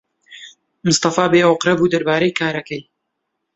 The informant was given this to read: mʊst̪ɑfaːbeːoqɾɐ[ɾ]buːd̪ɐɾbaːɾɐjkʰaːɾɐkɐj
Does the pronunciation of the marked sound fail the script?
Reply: yes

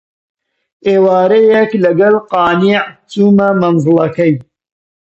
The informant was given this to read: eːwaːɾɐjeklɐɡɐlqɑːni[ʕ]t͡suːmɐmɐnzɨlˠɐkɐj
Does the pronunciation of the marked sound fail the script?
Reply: no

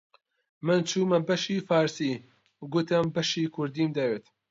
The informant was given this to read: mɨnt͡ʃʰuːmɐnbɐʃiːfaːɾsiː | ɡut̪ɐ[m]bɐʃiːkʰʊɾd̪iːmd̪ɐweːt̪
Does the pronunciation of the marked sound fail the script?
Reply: no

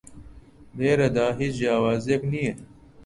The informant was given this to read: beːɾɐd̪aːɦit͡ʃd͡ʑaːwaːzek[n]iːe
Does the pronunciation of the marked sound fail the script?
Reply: no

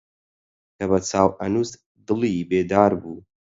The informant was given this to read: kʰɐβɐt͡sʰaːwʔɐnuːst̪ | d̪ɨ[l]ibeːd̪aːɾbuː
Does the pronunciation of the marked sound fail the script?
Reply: no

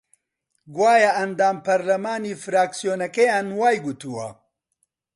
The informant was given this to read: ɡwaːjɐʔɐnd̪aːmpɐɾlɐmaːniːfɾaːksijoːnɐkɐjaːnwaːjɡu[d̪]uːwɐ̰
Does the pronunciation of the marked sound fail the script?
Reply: yes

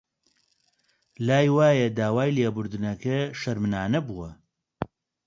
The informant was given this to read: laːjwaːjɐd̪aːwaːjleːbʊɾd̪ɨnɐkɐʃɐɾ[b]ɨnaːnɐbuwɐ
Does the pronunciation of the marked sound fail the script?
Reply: yes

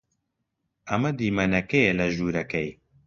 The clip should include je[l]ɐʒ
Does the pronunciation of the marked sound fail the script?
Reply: no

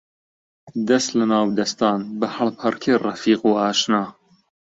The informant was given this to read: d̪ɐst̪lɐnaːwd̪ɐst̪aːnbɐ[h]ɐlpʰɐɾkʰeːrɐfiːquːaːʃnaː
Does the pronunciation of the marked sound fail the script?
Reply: no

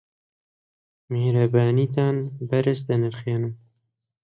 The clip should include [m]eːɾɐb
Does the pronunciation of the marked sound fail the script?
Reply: no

